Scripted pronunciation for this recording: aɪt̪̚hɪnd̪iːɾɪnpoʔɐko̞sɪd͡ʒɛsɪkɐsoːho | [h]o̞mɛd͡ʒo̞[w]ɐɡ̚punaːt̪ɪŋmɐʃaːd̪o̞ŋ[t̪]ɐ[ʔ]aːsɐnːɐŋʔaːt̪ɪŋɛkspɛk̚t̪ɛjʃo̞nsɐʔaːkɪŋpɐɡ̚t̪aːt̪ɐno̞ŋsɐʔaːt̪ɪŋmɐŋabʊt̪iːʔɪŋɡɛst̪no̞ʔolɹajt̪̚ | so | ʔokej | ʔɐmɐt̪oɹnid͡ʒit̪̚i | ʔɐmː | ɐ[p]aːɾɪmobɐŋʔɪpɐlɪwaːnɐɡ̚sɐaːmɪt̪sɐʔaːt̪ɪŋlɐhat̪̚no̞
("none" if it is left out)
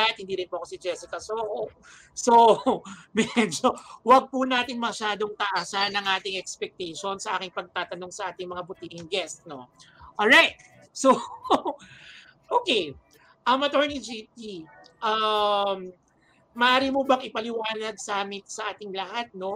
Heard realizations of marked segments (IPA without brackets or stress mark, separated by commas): s, w, t̪, ʔ, ʔ